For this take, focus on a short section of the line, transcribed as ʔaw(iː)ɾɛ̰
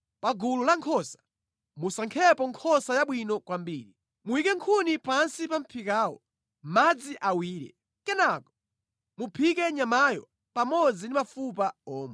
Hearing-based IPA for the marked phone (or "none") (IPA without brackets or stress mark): iː